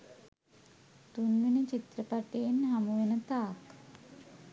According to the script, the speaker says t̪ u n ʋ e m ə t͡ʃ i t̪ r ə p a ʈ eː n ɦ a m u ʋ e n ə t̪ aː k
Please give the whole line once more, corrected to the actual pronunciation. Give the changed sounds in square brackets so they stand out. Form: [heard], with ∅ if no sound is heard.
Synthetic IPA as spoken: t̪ u n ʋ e [n] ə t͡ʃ i t̪ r ə p a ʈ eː n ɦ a m u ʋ e n ə t̪ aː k